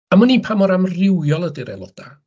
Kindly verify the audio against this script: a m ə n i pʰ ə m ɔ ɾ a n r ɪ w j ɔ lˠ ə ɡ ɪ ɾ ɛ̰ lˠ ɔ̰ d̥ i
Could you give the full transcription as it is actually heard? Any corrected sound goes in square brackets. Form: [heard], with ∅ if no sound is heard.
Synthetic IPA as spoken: a m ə n i pʰ [a] m ɔ ɾ a [m] r ɪ w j ɔ lˠ ə [d] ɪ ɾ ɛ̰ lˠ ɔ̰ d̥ [a]